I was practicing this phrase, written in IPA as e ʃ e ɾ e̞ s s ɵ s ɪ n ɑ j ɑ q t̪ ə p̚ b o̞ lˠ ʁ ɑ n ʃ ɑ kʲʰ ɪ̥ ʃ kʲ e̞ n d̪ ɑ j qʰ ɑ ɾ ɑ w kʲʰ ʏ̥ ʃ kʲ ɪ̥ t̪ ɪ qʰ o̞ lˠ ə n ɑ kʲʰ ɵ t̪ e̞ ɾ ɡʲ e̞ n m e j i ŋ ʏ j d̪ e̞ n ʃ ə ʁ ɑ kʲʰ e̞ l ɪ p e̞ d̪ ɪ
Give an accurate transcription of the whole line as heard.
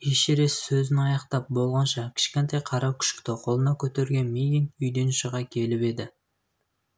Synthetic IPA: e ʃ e ɾ e̞ s s ɵ z ɪ n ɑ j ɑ q t̪ ɑ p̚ b o̞ lˠ ʁ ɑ n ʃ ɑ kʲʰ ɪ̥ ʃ kʲ e̞ n t̪ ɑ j qʰ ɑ ɾ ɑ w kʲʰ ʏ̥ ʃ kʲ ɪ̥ t̪ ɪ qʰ o̞ lˠ ə n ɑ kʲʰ ɵ t̪ e̞ ɾ ɡʲ e̞ n m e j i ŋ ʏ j d̪ e̞ n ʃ ə ʁ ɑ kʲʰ e̞ l ɪ p e̞ d̪ ɪ